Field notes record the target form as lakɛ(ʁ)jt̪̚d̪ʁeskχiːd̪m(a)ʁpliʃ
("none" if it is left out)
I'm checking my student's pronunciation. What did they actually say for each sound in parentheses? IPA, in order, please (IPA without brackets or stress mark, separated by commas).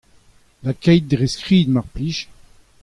none, a